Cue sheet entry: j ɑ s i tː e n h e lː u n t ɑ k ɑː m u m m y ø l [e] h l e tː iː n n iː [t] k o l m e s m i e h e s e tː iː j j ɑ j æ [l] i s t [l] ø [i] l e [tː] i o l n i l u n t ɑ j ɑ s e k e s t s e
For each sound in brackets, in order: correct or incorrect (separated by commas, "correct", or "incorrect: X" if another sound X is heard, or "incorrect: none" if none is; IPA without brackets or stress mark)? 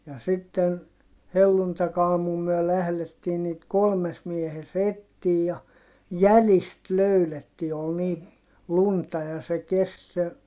incorrect: æ, correct, correct, correct, incorrect: y, correct